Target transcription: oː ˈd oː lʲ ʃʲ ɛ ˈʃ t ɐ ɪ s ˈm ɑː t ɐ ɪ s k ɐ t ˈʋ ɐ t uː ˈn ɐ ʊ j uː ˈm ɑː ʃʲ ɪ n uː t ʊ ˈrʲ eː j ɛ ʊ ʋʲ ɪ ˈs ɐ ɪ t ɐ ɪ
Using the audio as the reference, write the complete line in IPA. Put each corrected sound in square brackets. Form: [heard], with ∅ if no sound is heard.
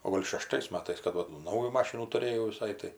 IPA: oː [ˈɡ] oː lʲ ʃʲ ɛ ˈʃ t ɐ ɪ s ˈm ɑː t ɐ ɪ s k ɐ t ˈʋ ɐ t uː ˈn ɐ ʊ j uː ˈm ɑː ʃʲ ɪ n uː t ʊ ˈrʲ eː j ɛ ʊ ʋʲ ɪ ˈs ɐ ɪ t ɐ ɪ